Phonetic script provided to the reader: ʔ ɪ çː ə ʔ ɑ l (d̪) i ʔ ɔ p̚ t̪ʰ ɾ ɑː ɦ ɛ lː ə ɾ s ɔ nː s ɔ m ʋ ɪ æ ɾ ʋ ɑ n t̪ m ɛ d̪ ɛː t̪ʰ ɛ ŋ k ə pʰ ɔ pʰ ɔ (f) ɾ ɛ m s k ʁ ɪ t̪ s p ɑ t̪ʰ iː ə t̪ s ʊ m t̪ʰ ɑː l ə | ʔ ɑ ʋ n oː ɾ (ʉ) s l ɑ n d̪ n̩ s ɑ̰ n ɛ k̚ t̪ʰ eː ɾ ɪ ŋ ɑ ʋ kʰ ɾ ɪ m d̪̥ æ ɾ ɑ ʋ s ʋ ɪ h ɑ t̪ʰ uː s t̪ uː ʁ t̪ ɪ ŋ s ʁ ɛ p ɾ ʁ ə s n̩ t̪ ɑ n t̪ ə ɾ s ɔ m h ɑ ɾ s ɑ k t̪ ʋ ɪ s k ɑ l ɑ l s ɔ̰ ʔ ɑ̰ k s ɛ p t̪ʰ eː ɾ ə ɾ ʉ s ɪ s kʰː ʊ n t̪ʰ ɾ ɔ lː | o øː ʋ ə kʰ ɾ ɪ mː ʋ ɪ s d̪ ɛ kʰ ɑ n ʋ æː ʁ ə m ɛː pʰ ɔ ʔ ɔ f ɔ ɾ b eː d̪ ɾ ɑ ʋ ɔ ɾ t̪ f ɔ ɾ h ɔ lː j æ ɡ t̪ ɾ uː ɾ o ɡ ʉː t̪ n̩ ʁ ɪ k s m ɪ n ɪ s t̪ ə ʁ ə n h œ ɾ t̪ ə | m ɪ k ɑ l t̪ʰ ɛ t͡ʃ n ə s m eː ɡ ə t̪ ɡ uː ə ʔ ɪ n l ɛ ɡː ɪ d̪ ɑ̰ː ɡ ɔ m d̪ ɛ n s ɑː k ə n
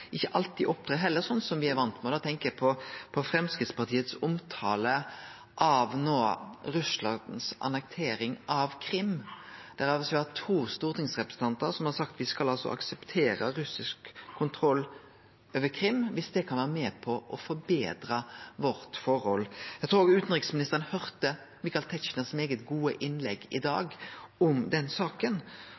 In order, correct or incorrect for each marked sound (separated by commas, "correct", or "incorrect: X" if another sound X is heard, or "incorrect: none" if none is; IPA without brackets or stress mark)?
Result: incorrect: t̪, correct, correct